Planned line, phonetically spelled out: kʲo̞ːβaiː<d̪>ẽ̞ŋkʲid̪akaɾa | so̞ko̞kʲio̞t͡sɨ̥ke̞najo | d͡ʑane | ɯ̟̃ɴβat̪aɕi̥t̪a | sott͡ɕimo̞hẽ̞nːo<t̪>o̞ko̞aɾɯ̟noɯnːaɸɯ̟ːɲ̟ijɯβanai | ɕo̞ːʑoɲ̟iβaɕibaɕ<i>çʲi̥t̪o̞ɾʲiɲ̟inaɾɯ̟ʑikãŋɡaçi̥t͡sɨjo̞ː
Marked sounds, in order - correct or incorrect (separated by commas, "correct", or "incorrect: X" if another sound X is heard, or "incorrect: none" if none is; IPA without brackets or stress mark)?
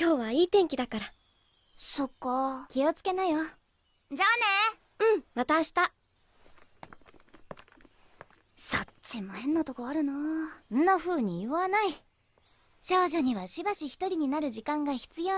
incorrect: t̪, correct, correct